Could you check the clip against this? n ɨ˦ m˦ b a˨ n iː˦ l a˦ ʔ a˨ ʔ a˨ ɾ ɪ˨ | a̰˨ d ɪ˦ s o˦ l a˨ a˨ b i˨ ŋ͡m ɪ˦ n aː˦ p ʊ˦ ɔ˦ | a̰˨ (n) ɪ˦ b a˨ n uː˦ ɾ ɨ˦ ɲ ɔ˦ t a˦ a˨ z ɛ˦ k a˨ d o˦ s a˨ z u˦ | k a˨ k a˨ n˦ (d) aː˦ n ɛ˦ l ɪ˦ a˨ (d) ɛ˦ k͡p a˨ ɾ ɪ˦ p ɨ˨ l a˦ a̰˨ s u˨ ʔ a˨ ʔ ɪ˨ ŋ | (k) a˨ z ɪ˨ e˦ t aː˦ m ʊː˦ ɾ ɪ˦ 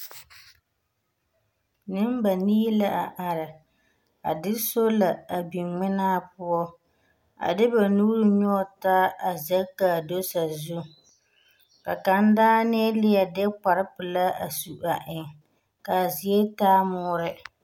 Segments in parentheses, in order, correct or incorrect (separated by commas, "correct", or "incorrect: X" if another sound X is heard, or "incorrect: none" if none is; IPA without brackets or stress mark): incorrect: d, correct, correct, correct